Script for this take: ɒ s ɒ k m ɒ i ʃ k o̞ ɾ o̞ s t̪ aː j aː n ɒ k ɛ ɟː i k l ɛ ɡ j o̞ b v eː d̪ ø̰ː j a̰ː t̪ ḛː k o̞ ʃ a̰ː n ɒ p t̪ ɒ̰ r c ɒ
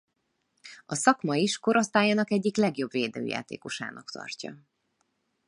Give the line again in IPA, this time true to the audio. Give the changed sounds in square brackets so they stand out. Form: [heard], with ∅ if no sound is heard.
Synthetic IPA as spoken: ɒ s ɒ k m ɒ i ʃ k o̞ ɾ o̞ s t̪ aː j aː n ɒ k ɛ ɟː i k l ɛ ɡ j o̞ b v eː d̪ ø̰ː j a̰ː t̪ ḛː k o̞ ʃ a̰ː n ɒ [k] t̪ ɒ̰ r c ɒ